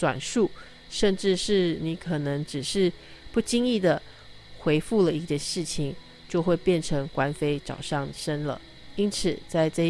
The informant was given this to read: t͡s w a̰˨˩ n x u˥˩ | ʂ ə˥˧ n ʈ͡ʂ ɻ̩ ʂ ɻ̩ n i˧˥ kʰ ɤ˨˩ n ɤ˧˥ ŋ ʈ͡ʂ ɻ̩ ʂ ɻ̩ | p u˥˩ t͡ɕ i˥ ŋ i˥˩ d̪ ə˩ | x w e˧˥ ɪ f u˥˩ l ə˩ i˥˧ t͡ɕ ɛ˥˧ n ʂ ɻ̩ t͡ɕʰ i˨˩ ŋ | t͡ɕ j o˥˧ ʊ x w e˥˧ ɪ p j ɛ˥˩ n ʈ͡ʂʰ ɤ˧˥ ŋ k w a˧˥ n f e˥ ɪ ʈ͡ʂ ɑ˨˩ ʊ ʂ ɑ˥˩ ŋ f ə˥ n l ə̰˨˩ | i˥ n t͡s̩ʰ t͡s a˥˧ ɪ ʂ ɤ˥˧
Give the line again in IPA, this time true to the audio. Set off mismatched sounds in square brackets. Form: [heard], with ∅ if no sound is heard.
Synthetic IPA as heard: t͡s w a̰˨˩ n [ʂ] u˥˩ | ʂ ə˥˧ n ʈ͡ʂ ɻ̩ ʂ ɻ̩ n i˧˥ kʰ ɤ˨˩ n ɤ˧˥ ŋ ʈ͡ʂ ɻ̩ ʂ ɻ̩ | p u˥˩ t͡ɕ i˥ ŋ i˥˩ d̪ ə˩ | x w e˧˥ ɪ f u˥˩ l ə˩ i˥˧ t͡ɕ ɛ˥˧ n ʂ ɻ̩ t͡ɕʰ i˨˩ ŋ | t͡ɕ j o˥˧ ʊ x w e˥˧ ɪ p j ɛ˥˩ n ʈ͡ʂʰ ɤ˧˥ ŋ k w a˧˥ n f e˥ ɪ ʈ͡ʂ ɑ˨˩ ʊ ʂ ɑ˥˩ ŋ [ʂ] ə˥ n l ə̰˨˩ | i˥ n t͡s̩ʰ t͡s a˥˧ ɪ [ʈ͡ʂ] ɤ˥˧